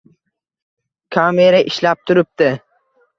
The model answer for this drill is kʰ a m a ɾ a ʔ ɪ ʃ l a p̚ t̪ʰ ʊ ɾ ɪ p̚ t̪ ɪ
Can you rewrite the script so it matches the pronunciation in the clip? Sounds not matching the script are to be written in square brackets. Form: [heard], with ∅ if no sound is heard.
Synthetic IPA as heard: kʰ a m [e] ɾ a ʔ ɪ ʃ l a p̚ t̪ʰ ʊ ɾ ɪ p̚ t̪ ɪ